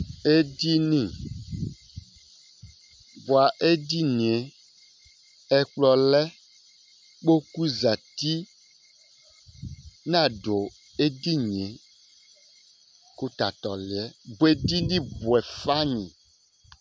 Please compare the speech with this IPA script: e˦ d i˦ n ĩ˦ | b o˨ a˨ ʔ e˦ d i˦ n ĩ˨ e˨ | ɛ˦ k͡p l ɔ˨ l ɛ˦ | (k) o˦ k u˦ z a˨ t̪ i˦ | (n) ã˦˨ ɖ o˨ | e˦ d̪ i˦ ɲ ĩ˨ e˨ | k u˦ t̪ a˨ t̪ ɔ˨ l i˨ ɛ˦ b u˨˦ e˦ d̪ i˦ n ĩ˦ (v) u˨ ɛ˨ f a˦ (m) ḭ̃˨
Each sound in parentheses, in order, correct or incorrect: incorrect: k͡p, correct, incorrect: b, incorrect: ɲ

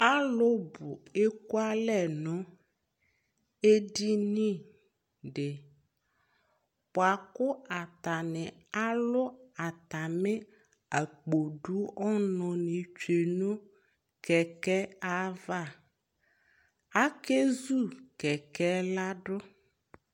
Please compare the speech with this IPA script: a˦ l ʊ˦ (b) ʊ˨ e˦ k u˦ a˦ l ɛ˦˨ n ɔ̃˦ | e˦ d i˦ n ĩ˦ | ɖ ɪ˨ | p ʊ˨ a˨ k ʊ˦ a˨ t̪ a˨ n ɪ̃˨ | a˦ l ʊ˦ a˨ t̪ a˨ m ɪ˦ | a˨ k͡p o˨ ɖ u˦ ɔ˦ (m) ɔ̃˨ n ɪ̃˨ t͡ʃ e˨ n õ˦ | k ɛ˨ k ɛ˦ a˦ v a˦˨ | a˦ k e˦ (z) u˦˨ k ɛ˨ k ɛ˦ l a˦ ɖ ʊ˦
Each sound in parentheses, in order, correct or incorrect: correct, incorrect: n, correct

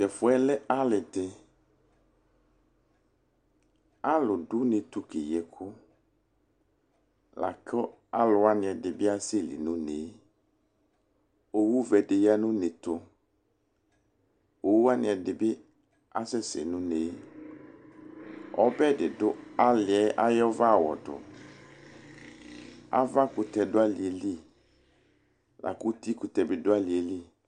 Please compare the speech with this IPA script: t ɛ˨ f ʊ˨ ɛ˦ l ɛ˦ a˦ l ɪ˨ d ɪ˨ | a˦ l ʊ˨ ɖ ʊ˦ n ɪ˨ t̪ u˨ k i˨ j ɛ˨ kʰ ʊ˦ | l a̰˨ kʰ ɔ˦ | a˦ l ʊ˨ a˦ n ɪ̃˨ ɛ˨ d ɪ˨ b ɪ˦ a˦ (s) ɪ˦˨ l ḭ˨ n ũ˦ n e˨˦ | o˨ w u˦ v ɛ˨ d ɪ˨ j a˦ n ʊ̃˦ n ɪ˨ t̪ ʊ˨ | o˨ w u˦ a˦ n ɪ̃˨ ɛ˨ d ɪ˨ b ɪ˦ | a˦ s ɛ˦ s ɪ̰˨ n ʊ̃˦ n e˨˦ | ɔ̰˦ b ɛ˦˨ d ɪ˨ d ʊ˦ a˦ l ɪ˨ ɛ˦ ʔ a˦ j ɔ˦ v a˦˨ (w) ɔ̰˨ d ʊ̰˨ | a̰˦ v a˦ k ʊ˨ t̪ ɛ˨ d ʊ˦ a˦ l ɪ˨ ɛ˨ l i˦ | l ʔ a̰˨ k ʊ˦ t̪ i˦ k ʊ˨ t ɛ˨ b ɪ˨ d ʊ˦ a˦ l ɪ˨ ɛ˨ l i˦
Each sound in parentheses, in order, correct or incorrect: correct, correct

